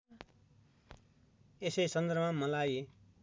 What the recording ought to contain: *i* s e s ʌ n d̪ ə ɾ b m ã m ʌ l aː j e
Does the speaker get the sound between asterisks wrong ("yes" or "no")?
yes